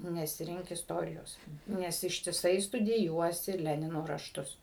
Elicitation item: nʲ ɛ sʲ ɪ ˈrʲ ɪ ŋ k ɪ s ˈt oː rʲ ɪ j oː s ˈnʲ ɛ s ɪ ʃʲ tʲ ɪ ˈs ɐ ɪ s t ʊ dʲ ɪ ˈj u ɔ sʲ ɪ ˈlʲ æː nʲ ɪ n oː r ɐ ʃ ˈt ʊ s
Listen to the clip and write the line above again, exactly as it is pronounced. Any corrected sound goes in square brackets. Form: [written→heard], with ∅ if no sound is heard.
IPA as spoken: nʲ ɛ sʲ ɪ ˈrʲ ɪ ŋ k ɪ s ˈt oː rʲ ɪ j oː s ˈnʲ ɛ s ɪ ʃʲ tʲ ɪ ˈs ɐ ɪ s t ʊ dʲ ɪ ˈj u ɔ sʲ ɪ ˈlʲ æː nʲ ɪ n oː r ɐ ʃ ˈt ʊ s